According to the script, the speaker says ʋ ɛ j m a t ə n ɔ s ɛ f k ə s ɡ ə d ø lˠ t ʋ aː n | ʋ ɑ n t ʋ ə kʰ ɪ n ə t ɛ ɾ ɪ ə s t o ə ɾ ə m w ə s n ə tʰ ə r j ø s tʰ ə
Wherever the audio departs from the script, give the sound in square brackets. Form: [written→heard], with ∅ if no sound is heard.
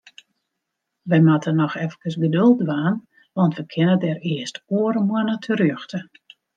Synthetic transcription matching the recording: ʋ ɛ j m a t ə n ɔ [s→x] ɛ f k ə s ɡ ə d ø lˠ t ʋ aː n | ʋ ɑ n t ʋ ə kʰ ɪ n ə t ɛ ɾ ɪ ə s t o ə ɾ ə m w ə [s→∅] n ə tʰ ə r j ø [s→x] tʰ ə